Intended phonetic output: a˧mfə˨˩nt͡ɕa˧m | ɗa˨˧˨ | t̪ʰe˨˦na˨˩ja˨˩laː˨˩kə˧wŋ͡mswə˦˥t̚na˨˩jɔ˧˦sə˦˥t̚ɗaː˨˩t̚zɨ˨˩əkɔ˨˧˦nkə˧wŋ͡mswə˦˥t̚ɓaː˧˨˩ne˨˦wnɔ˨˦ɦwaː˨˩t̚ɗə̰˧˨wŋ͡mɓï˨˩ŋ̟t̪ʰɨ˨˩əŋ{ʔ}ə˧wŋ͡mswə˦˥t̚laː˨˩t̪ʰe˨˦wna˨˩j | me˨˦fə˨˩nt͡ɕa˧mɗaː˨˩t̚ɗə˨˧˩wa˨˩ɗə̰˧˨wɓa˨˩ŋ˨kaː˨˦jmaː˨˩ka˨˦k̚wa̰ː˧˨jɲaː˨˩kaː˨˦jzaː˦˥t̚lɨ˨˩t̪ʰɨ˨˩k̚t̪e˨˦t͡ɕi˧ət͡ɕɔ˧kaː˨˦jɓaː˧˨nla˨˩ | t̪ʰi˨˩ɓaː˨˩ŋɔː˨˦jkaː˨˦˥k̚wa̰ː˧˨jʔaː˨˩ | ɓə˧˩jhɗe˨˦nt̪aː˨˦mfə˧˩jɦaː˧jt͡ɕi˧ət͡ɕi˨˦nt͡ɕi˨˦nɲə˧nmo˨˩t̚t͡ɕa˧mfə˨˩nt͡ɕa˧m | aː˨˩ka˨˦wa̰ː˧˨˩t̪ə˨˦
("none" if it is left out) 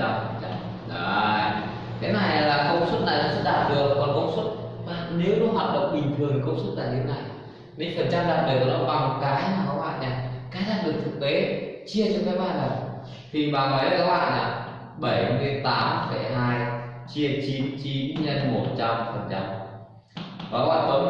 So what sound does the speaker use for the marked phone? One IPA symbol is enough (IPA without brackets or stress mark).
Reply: k